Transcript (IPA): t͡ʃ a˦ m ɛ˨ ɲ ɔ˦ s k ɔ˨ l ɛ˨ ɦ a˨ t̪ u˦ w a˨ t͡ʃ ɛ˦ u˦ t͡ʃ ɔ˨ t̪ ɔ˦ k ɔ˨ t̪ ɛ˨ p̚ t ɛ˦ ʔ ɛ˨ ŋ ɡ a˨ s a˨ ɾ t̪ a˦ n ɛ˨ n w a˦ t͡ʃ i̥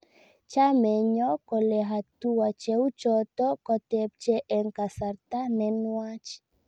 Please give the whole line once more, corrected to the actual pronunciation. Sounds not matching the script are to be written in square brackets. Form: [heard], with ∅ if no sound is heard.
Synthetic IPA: t͡ʃ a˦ m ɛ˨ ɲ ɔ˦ [∅] k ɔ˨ l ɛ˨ ɦ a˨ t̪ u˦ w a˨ t͡ʃ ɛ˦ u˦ t͡ʃ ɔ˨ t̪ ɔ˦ k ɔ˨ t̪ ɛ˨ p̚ [t͡ʃ] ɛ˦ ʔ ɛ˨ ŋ [k] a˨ s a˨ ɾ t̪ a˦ n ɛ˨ n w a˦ t͡ʃ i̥